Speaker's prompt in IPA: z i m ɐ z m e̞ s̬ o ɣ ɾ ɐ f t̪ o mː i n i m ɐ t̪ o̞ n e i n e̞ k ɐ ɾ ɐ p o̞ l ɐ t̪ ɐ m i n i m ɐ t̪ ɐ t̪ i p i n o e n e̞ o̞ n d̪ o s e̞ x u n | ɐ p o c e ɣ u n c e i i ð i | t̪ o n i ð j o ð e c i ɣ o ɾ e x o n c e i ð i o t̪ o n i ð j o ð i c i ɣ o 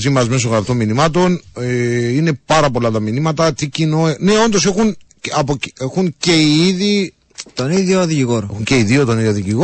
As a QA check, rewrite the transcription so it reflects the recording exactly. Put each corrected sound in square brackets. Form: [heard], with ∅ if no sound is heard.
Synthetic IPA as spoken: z i m ɐ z m e̞ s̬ o ɣ ɾ ɐ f t̪ o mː i n i m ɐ t̪ o̞ n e i n e̞ [p] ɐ ɾ ɐ p o̞ l ɐ t̪ ɐ m i n i m ɐ t̪ ɐ t̪ i [c] i n o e n e̞ o̞ n d̪ o s e̞ x u n | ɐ p o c e [x] u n c e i i ð i | t̪ o n i ð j o ð [i] c i ɣ o ɾ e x [u] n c e i ð i o t̪ o n i ð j o ð i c i ɣ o